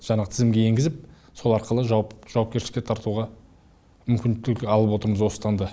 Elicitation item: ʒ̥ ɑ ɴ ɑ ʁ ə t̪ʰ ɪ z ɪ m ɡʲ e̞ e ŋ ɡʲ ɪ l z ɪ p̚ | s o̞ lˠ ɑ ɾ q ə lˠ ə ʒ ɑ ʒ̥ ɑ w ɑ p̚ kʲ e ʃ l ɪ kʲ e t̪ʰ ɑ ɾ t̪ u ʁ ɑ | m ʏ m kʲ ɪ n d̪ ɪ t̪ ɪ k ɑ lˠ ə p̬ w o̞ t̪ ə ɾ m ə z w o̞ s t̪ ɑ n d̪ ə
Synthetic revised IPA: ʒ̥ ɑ ɴ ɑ ʁ ə t̪ʰ ɪ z ɪ m ɡʲ e̞ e ŋ ɡʲ ɪ z ɪ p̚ | s o̞ lˠ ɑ ɾ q ə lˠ ə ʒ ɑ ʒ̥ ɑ w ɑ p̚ kʲ e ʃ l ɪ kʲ e t̪ʰ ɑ ɾ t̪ u ʁ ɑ | m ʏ m kʲ ɪ n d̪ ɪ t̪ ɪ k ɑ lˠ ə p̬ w o̞ t̪ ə ɾ m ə z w o̞ s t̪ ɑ n d̪ ə